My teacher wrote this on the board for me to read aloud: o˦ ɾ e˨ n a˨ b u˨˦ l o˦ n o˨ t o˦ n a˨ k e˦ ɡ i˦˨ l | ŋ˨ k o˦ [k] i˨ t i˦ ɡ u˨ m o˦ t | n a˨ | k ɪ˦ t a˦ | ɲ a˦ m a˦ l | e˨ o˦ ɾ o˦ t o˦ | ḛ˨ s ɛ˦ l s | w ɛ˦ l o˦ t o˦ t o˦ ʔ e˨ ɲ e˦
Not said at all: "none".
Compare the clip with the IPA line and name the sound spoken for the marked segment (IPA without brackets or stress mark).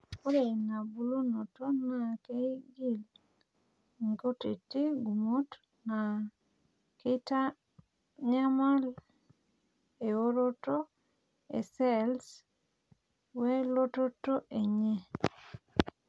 t